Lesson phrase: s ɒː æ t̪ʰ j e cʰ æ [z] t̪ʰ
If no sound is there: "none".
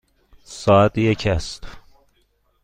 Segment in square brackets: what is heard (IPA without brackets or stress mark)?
s